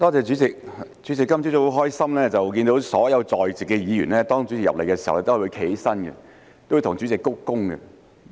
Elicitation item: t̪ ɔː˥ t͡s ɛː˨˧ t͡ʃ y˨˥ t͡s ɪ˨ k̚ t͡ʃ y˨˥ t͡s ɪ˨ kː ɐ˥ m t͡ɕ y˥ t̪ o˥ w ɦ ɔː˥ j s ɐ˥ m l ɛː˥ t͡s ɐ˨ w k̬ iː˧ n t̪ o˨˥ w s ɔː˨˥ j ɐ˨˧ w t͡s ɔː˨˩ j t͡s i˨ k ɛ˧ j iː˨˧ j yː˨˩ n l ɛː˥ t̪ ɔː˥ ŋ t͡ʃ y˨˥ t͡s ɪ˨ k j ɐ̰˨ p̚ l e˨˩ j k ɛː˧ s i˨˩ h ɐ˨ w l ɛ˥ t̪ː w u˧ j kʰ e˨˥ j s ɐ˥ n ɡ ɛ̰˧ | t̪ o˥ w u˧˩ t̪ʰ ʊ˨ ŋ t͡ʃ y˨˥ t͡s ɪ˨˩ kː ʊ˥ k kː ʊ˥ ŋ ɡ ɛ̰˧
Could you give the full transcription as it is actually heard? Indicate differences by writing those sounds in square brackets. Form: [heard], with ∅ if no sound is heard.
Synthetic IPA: t̪ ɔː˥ t͡s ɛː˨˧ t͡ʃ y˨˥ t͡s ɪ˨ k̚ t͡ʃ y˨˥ t͡s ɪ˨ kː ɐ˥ m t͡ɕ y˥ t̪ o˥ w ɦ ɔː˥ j s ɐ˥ m l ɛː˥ t͡s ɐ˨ w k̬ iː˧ n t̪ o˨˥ w s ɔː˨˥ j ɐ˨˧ w t͡s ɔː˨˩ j t͡s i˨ k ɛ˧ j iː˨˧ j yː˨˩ n l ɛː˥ t̪ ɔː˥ ŋ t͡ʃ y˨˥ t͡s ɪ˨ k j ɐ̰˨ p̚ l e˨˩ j k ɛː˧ s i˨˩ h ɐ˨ w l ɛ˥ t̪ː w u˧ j kʰ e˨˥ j s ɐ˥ n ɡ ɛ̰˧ | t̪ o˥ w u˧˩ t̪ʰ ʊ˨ ŋ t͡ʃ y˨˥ t͡s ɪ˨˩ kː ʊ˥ k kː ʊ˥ ŋ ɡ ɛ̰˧